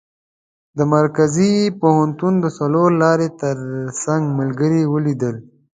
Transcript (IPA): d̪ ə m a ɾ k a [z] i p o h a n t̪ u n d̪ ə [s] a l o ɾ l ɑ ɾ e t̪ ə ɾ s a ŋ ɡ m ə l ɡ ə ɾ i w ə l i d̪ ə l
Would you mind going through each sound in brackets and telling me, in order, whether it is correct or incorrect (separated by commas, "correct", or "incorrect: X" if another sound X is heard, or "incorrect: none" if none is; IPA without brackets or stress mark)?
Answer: correct, correct